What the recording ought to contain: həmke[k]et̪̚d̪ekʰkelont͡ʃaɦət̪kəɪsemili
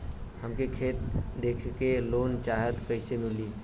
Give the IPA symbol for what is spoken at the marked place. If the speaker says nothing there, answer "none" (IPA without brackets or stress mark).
kʰ